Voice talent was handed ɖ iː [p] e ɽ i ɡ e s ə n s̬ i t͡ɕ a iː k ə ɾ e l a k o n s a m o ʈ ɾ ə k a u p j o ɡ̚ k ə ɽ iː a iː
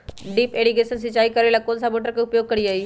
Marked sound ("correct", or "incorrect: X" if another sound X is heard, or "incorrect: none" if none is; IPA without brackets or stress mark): correct